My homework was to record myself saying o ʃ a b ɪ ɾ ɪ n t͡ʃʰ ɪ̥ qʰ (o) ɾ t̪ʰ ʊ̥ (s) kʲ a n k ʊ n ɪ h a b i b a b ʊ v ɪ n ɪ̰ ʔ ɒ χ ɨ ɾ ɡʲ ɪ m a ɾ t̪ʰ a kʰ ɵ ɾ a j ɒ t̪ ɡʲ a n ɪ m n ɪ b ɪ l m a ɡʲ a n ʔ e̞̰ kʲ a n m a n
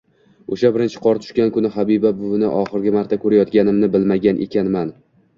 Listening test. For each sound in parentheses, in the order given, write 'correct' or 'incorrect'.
incorrect: ɒ, incorrect: ʃ

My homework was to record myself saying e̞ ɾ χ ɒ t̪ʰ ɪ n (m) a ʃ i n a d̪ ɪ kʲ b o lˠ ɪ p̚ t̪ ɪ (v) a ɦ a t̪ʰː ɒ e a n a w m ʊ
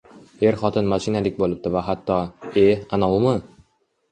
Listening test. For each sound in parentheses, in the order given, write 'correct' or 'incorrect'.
correct, correct

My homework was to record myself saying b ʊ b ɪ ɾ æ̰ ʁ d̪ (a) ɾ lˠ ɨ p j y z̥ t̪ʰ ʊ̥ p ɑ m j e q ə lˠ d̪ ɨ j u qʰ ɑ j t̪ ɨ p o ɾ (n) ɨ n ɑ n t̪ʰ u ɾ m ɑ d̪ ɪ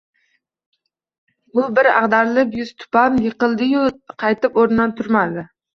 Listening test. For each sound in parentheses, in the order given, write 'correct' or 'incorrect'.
incorrect: ɑ, correct

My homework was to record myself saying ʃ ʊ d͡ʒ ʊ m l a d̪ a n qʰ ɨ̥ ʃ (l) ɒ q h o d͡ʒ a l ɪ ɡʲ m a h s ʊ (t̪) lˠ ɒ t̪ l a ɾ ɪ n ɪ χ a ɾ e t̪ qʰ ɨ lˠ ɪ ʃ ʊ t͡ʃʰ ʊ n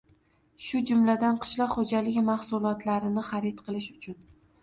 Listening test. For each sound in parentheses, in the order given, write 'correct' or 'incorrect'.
correct, incorrect: none

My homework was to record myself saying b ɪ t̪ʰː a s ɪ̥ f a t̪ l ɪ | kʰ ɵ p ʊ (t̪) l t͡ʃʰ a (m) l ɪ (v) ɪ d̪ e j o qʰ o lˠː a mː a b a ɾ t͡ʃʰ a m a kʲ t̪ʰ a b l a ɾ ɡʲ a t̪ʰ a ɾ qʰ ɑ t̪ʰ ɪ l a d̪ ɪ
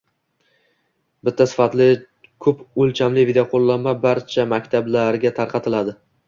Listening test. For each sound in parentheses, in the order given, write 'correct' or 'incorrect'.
incorrect: none, correct, correct

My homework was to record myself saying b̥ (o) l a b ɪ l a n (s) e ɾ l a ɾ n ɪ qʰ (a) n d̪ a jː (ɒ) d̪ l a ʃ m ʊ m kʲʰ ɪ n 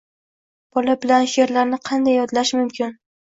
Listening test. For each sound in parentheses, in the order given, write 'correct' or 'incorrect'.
incorrect: ɒ, incorrect: ʃ, incorrect: ɑ, correct

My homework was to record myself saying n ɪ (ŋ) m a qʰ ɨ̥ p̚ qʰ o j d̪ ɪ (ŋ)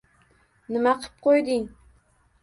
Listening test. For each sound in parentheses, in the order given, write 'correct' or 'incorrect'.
incorrect: none, correct

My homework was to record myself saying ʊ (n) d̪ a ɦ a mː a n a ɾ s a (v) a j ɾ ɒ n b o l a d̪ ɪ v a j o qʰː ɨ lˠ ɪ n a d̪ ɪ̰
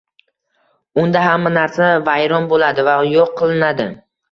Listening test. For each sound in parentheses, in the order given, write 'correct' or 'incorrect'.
correct, correct

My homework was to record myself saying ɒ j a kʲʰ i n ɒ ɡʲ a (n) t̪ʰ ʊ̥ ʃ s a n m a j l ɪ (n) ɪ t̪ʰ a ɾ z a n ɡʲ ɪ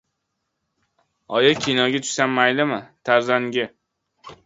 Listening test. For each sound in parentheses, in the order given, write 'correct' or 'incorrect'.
incorrect: none, incorrect: m

